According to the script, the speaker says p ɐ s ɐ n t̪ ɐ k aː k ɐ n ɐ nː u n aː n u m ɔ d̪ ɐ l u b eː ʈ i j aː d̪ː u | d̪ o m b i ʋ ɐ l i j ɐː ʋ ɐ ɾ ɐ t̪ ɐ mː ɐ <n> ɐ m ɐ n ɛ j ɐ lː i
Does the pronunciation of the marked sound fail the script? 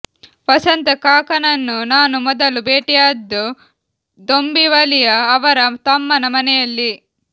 no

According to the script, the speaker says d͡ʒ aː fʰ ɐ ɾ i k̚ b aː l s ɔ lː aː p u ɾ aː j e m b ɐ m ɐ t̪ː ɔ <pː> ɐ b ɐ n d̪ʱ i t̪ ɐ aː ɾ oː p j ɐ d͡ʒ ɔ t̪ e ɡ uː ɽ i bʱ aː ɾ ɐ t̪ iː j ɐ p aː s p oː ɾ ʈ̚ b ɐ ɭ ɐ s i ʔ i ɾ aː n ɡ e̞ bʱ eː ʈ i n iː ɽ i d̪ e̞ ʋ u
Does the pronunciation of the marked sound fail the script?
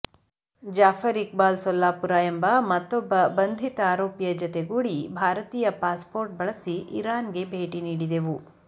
yes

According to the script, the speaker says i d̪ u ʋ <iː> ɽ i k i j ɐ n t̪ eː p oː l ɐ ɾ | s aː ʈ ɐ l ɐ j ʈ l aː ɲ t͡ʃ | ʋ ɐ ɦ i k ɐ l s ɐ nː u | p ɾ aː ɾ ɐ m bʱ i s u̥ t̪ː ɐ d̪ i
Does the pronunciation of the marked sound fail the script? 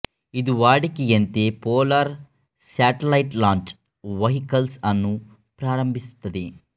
yes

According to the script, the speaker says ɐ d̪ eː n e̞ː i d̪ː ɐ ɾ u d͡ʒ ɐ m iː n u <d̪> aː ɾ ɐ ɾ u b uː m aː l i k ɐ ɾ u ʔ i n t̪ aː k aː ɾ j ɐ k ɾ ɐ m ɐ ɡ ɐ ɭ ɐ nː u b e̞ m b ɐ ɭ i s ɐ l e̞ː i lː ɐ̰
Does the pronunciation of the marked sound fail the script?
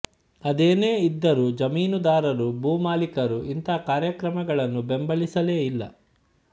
no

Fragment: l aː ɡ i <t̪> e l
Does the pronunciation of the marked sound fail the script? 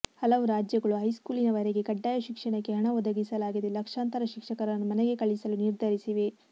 yes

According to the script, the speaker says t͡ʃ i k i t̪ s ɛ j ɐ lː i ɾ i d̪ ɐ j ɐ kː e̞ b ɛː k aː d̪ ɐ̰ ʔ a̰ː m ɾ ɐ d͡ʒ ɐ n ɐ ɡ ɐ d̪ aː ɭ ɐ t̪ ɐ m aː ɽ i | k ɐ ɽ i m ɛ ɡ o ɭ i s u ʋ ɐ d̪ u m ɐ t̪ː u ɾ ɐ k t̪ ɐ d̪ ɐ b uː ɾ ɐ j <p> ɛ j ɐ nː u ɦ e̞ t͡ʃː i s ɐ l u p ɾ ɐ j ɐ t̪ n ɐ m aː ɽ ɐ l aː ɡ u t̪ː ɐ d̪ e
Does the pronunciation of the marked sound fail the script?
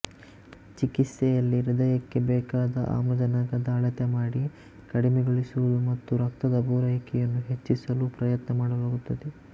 yes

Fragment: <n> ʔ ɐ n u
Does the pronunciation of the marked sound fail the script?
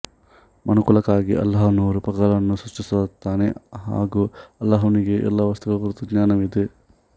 yes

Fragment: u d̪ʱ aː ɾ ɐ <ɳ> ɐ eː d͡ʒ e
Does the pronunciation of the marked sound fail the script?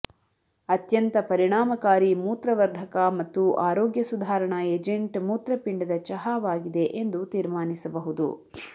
no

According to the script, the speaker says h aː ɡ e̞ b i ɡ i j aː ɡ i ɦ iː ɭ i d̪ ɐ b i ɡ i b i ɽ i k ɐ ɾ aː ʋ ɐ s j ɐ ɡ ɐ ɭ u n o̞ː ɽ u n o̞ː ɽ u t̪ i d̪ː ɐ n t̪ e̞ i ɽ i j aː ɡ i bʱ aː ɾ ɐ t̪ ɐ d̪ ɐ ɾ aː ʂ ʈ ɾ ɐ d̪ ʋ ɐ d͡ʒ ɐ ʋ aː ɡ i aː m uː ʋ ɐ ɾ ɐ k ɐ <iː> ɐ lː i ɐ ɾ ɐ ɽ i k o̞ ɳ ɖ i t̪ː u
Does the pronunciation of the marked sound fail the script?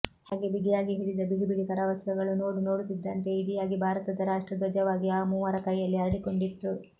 yes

